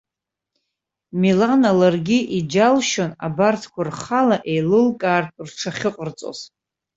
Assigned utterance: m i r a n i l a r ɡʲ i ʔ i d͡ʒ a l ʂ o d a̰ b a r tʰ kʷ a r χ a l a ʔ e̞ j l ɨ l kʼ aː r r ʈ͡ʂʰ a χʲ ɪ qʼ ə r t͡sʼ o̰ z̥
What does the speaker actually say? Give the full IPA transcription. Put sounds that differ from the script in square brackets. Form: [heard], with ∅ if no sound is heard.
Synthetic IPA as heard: m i [l] a n [a] l a r ɡʲ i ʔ i d͡ʒ a l [ʃ] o [n] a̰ b a r tʰ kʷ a r χ a l a ʔ e̞ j l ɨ l kʼ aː r r ʈ͡ʂʰ a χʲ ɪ qʼ ə r t͡sʼ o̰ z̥

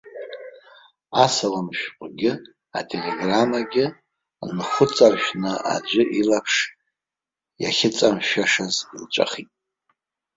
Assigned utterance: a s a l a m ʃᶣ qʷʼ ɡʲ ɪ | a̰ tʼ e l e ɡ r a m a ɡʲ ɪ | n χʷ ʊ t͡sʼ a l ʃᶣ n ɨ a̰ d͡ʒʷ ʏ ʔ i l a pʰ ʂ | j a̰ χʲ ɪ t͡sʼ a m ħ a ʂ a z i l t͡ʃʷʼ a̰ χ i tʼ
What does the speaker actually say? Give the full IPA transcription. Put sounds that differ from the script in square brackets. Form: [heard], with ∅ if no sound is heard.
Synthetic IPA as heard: a s a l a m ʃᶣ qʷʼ ɡʲ ɪ | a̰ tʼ e l e ɡ r a m a ɡʲ ɪ | n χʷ ʊ t͡sʼ a [r] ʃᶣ n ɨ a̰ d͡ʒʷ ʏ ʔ i l a pʰ ʂ | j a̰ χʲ ɪ t͡sʼ a m [ʃ] a ʂ a z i l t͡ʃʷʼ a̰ χ i tʼ

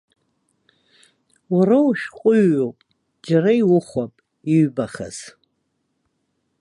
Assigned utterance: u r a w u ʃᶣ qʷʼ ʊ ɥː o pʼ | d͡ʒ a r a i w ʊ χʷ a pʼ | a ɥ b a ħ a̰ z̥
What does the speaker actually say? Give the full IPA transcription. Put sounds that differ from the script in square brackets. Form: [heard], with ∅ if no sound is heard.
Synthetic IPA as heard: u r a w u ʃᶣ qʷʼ ʊ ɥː o pʼ | d͡ʒ a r a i w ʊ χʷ a pʼ | [i] ɥ b a [χ] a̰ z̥

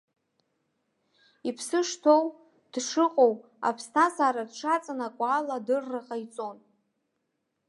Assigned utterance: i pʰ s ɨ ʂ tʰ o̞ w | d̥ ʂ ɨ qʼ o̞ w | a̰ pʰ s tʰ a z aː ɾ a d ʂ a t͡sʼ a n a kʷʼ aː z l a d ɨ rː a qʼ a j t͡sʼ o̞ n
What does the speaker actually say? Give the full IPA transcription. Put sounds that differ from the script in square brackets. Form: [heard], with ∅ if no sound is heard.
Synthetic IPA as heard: i pʰ s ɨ ʂ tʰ o̞ w | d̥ ʂ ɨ qʼ o̞ w | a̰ pʰ s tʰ a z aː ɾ a d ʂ a t͡sʼ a n a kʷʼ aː [∅] l a d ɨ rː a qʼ a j t͡sʼ o̞ n

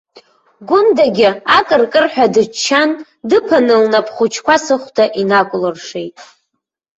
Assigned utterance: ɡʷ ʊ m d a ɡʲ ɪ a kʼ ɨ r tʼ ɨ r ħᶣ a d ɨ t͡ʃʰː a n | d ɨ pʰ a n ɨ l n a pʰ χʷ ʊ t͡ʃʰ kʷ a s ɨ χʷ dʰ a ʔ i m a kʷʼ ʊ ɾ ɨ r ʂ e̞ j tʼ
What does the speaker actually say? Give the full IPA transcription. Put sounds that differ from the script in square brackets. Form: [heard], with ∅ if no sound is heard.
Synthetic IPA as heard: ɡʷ ʊ [n] d a ɡʲ ɪ a kʼ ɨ r [kʼ] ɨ r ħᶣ a d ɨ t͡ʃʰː a n | d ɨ pʰ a n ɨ l n a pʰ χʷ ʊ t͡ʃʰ kʷ a s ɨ χʷ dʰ a ʔ i [n] a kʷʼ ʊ [l] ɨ r ʂ e̞ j tʼ

